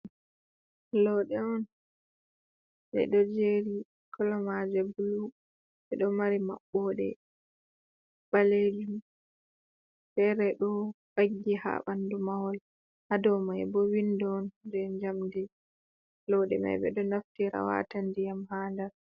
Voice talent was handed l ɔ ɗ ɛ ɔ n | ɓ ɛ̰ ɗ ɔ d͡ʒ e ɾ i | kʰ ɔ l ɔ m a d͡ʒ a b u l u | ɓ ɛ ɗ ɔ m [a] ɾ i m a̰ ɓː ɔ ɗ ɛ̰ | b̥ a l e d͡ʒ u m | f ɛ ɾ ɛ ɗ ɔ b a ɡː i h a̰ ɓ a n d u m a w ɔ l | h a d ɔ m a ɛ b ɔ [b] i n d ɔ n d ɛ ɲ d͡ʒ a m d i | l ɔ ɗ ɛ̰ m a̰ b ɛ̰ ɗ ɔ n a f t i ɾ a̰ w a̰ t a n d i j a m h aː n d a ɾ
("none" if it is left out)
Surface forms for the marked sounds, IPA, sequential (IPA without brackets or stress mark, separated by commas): a, w